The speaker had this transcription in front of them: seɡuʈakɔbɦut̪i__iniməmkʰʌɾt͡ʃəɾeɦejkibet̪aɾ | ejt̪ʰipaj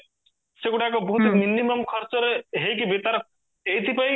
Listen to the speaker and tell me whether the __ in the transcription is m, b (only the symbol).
m